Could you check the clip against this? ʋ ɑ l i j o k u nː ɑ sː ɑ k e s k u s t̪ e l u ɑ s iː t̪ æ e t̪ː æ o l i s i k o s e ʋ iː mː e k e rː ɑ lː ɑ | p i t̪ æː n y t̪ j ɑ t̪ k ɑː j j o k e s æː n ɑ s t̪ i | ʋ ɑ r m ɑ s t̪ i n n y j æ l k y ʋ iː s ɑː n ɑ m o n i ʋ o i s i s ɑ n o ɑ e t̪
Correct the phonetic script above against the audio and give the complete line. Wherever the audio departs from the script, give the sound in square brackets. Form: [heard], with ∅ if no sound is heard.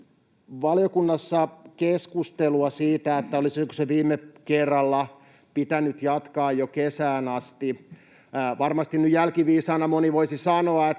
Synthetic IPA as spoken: ʋ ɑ l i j o k u nː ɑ sː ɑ k e s k u s t̪ e l u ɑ s iː t̪ æ e t̪ː æ o l i s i k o s e ʋ iː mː e k e rː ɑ lː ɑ | p i t̪ [æ] n y t̪ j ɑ t̪ k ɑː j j o k e s æː n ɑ s t̪ i | ʋ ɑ r m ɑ s t̪ i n n y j æ l k [i] ʋ iː s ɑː n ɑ m o n i ʋ o i s i s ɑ n o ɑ e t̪